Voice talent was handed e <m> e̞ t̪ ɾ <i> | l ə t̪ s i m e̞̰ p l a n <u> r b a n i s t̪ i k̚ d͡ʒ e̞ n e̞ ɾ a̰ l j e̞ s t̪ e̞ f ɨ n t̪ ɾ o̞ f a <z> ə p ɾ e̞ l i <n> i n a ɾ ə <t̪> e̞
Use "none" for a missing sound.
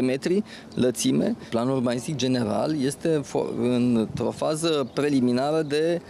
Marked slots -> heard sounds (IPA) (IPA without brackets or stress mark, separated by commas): m, i, u, z, m, d̪